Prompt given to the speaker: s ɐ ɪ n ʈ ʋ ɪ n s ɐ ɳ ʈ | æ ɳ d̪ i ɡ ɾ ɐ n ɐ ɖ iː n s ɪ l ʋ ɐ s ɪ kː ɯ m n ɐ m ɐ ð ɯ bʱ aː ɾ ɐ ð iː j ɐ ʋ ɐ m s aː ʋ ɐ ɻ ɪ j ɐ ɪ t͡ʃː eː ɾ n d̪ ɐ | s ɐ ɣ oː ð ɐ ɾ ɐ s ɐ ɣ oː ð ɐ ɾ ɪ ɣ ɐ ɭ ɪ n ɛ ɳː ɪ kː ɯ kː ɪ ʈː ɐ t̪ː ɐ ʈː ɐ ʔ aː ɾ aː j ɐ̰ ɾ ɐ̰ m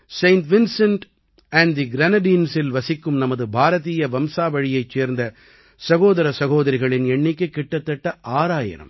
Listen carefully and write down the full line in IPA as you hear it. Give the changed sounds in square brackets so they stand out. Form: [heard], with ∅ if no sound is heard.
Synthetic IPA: s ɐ ɪ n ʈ ʋ ɪ n s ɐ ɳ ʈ | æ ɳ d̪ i ɡ ɾ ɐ n ɐ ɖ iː n s ɪ l ʋ ɐ s ɪ kː ɯ m n ɐ m ɐ ð ɯ bʱ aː ɾ ɐ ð iː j ɐ ʋ ɐ m s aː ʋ ɐ ɻ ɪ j ɐ ɪ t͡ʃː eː ɾ n d̪ ɐ | s ɐ ɣ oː ð ɐ ɾ ɐ s ɐ ɣ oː ð ɐ ɾ ɪ ɣ ɐ ɭ ɪ n ɛ ɳː ɪ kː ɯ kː ɪ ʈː ɐ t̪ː ɐ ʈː ɐ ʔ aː ɾ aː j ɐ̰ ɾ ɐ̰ m